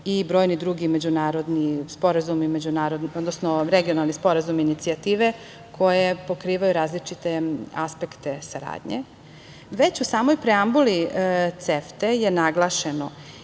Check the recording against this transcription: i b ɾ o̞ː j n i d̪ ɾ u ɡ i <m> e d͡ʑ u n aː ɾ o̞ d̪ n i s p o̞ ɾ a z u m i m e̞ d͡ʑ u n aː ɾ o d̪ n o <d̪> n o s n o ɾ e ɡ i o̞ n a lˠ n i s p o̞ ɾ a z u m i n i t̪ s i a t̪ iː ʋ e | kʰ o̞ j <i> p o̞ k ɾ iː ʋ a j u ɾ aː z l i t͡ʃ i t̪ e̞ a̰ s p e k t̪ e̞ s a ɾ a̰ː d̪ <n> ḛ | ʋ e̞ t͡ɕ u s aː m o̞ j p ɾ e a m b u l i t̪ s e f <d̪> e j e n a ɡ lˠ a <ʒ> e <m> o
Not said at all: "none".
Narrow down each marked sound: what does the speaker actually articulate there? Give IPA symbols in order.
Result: m, d̪, e, ɲ, t̪, ʃ, n

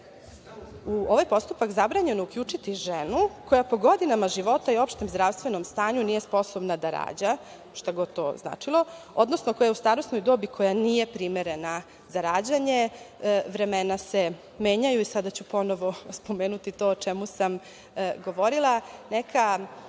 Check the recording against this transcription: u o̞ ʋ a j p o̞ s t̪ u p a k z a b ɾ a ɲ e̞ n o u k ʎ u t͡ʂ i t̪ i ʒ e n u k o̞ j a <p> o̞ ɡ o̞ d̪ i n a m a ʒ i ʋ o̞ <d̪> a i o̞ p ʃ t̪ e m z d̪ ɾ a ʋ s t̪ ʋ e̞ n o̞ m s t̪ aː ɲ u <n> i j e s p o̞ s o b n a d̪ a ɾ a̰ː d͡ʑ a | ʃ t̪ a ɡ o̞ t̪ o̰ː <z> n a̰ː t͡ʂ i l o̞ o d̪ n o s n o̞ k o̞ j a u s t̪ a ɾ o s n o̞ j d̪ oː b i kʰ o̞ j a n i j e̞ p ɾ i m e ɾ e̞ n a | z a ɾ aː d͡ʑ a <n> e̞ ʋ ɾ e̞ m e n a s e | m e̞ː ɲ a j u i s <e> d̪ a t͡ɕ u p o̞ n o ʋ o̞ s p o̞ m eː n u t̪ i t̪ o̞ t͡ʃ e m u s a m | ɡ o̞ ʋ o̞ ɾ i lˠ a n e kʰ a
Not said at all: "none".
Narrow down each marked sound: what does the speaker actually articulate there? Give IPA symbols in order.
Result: p, t̪, n, z, ɲ, a

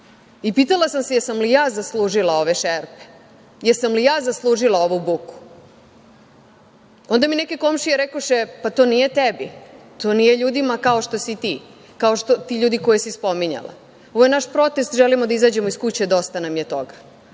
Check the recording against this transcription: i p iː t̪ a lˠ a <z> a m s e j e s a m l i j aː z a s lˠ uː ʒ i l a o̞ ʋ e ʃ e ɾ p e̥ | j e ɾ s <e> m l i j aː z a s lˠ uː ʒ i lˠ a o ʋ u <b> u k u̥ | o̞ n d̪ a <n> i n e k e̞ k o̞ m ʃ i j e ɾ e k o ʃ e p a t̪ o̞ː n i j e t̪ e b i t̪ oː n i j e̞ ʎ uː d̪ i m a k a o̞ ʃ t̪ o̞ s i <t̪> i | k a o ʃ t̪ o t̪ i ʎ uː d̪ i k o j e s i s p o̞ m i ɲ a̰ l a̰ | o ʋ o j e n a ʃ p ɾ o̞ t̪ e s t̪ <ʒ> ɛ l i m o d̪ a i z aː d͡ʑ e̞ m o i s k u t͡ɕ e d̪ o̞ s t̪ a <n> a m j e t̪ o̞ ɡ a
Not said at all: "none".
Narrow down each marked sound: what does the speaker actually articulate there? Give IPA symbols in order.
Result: s, a, b, m, t̪, ʒ, n

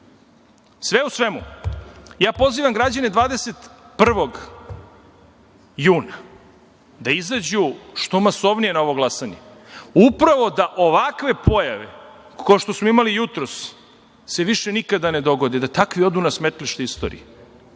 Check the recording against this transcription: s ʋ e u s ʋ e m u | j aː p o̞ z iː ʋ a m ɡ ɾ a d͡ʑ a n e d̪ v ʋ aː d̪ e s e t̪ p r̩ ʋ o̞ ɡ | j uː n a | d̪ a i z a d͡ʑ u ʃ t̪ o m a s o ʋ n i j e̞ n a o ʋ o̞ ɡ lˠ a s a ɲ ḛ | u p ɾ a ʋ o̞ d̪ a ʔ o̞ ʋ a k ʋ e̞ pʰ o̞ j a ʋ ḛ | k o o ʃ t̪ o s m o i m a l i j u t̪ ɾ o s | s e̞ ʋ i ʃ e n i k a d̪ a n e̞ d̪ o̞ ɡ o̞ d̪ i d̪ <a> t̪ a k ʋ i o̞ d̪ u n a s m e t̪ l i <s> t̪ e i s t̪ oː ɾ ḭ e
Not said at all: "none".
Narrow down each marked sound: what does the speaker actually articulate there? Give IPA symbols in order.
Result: a, ʃ

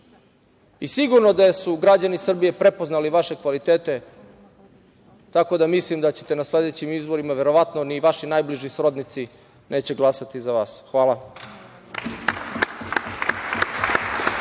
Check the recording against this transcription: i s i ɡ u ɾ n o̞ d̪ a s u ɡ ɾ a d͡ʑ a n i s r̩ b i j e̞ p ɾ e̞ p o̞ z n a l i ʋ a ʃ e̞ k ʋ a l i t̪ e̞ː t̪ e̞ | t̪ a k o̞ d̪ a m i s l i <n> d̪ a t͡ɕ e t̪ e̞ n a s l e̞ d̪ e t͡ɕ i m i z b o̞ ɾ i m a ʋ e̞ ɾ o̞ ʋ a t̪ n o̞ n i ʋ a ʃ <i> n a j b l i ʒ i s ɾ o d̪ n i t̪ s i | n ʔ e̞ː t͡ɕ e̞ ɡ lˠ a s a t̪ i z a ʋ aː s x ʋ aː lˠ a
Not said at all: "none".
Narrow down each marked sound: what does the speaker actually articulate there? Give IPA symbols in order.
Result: m, i

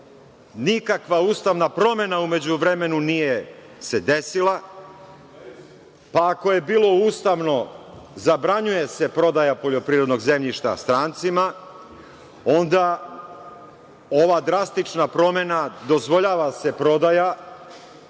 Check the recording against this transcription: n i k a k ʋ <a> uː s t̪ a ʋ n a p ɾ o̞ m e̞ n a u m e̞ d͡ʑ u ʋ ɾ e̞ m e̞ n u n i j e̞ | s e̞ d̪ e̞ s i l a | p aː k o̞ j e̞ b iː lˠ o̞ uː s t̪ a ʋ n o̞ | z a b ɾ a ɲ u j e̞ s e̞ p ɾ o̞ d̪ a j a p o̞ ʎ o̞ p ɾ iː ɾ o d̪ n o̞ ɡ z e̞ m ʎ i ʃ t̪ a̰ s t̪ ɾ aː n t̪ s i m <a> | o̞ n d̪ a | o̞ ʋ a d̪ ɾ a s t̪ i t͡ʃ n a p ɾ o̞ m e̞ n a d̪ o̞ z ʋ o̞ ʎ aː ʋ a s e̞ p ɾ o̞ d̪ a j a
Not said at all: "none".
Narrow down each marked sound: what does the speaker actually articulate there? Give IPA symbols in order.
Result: a, a

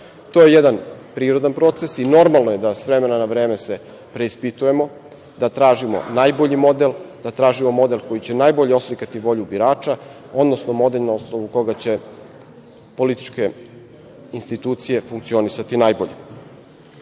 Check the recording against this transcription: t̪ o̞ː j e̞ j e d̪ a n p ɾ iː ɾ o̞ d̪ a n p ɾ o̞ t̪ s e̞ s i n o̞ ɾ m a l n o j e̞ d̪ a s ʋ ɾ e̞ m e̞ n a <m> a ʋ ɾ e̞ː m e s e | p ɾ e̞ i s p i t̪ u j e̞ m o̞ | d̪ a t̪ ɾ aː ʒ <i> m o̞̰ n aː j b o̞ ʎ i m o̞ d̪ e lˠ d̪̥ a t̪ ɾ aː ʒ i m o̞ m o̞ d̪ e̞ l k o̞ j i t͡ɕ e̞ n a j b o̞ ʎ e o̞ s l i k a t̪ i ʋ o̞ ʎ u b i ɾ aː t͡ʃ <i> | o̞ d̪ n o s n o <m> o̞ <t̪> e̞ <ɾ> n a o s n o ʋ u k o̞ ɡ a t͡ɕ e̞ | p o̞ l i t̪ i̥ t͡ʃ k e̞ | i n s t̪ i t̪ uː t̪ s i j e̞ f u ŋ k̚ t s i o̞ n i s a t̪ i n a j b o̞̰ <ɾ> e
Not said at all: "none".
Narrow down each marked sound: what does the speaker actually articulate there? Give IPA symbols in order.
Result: n, i, a, m, d̪, ʎ, ʎ

